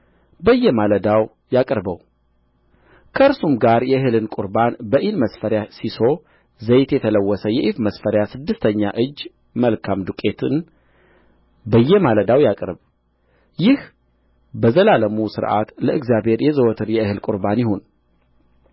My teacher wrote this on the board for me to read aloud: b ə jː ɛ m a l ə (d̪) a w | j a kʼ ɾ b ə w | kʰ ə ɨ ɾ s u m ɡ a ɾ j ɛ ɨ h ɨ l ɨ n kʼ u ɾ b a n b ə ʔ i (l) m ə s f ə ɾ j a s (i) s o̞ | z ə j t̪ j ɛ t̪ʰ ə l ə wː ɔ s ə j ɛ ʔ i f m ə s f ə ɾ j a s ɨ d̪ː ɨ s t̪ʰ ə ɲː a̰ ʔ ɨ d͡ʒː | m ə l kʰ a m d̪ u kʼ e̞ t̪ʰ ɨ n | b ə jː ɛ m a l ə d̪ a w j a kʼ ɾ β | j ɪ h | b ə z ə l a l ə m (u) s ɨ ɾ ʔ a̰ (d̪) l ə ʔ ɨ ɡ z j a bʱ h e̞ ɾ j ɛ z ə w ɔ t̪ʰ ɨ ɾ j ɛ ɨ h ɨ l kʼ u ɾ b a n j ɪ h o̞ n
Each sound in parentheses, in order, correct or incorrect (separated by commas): correct, correct, correct, correct, incorrect